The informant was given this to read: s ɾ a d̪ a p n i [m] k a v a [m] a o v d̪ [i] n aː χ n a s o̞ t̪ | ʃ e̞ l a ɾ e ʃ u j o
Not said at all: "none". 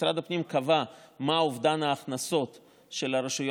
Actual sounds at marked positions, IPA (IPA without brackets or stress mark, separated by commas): m, m, a